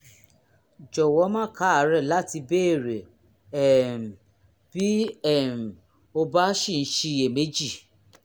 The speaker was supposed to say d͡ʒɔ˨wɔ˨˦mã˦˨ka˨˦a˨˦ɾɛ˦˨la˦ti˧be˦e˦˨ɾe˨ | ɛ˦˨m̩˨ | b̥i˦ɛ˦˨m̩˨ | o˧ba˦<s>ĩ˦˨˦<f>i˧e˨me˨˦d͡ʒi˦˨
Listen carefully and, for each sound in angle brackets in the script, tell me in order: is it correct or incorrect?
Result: incorrect: ʃ, incorrect: ʃ

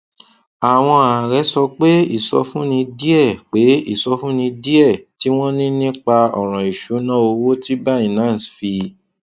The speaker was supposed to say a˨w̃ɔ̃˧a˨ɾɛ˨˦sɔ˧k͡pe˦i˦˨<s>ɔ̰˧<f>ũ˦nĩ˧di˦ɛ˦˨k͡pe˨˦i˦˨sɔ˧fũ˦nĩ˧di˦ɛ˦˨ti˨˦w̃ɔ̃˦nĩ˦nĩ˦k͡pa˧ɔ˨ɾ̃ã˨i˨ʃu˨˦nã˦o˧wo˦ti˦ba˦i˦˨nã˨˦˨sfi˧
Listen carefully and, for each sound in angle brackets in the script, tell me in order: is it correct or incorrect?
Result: correct, correct

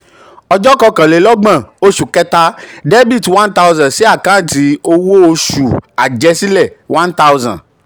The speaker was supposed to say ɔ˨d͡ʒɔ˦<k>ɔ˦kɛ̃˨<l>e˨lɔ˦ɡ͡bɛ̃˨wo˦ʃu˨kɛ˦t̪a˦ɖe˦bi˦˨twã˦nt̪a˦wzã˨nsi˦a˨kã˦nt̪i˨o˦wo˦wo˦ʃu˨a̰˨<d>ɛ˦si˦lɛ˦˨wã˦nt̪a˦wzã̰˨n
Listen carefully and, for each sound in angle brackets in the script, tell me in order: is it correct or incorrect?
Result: correct, correct, incorrect: d͡ʒ

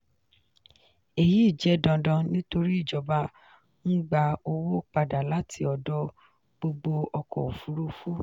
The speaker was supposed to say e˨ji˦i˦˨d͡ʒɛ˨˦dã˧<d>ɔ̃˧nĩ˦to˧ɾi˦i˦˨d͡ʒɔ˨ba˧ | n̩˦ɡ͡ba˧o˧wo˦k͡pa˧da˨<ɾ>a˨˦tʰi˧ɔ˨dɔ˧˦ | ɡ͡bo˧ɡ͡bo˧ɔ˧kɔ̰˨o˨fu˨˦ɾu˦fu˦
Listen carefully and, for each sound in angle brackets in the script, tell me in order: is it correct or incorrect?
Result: correct, incorrect: l

